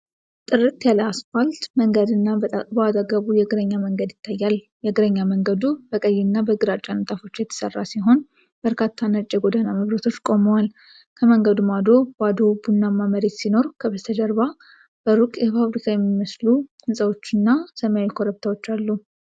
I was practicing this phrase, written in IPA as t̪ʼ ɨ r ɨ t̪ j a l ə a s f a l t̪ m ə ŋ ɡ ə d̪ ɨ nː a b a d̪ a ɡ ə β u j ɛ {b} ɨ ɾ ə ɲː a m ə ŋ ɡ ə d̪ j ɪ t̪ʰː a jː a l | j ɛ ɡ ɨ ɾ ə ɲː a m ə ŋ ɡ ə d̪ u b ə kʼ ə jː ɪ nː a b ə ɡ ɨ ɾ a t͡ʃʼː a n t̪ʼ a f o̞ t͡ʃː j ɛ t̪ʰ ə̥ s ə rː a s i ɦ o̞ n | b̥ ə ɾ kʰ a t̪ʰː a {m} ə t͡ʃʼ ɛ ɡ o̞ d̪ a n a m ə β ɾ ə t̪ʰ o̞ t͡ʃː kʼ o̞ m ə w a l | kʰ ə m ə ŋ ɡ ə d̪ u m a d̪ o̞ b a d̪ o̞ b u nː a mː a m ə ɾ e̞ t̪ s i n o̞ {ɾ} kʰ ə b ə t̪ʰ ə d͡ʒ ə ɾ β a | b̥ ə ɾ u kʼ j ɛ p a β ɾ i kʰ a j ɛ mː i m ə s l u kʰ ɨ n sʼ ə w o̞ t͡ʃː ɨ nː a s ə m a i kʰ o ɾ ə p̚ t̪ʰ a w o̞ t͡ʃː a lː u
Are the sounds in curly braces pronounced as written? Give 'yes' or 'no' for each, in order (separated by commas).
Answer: no, no, yes